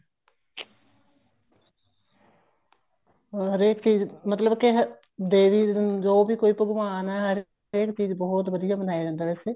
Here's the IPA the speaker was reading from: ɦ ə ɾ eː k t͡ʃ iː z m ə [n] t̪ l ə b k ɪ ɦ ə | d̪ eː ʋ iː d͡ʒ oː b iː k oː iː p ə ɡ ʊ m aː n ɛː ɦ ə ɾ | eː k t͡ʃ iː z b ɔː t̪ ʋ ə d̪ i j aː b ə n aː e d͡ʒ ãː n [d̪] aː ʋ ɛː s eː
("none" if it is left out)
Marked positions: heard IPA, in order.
none, d̪

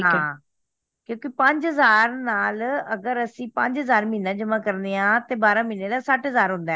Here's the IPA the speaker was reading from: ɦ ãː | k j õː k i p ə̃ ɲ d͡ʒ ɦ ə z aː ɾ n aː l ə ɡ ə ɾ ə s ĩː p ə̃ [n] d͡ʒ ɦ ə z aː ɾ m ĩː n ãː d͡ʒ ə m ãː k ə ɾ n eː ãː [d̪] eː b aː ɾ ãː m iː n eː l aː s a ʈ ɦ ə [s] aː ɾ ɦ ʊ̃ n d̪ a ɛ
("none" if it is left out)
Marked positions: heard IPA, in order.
ɲ, t̪, z

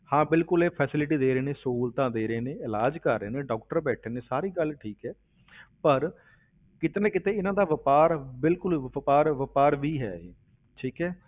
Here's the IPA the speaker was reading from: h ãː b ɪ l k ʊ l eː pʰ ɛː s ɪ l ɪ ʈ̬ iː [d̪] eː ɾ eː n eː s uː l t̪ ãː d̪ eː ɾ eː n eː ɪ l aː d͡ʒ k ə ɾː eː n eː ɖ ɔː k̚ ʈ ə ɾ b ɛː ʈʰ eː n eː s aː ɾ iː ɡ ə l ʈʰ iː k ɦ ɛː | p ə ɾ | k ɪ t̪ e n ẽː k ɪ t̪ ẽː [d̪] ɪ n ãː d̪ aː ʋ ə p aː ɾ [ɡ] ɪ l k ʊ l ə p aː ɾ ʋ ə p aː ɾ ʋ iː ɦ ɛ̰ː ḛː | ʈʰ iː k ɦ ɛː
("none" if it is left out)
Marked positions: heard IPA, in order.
d̪, none, b

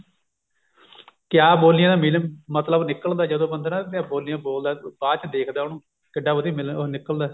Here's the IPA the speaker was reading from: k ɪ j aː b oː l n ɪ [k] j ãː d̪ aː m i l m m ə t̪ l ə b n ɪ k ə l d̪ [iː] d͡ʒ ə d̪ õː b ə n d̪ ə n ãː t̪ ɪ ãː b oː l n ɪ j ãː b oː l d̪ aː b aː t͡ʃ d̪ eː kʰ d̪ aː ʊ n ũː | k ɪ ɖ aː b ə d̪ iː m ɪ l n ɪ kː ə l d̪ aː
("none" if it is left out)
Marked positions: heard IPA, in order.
none, aː

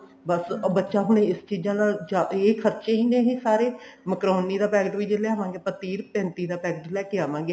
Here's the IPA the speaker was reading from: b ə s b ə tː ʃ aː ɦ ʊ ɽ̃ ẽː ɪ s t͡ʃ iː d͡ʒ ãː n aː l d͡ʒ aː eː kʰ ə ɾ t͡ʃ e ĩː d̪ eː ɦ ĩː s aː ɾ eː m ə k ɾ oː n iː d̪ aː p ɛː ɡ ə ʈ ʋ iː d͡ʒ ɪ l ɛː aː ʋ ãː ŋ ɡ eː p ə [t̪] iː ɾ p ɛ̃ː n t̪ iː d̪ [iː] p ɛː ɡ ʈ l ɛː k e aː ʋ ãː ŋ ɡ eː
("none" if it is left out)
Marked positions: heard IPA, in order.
t̪, aː

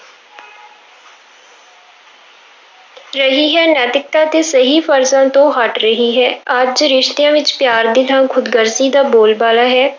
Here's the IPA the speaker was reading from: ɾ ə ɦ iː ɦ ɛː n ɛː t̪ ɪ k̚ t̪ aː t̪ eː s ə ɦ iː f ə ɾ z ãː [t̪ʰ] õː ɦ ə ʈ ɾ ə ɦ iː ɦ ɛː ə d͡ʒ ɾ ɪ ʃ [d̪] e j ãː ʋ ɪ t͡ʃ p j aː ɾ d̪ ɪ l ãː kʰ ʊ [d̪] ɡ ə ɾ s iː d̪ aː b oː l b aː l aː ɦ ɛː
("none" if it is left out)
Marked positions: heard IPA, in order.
t̪, t̪, d̪

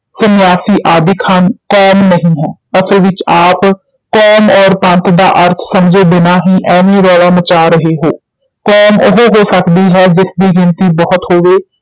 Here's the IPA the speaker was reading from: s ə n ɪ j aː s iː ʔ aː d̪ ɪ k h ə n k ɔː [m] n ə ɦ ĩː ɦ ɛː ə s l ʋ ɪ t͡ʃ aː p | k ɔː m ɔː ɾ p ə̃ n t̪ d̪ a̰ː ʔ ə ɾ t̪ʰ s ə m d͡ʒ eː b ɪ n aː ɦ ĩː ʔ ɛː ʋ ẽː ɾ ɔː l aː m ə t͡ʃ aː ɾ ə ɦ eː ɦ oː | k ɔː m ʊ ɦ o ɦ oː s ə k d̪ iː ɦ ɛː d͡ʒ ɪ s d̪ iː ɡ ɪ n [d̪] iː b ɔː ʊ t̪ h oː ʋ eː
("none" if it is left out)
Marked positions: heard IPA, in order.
m, t̪

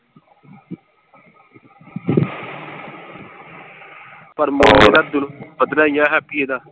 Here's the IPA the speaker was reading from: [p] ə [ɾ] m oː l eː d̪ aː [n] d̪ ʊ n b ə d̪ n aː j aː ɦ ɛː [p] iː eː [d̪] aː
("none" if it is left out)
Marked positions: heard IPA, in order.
p, ɾ, none, p, d̪

